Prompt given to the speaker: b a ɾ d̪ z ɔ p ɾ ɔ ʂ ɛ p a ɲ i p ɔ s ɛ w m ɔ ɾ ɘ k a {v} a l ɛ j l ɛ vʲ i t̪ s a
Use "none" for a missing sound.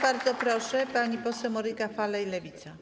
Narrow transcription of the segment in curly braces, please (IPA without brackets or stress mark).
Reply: f